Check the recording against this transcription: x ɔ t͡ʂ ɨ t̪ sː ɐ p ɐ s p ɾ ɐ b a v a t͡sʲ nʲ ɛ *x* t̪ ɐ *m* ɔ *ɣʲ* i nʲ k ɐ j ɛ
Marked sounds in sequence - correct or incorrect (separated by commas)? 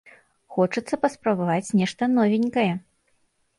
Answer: incorrect, incorrect, incorrect